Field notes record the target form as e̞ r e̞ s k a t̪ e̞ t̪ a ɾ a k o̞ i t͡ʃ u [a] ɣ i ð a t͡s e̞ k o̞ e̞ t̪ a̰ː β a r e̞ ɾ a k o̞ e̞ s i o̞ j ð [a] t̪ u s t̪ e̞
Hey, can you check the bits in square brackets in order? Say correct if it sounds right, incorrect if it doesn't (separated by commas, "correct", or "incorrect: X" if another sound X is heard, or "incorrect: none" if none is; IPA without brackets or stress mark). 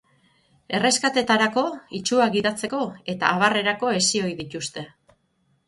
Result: correct, incorrect: i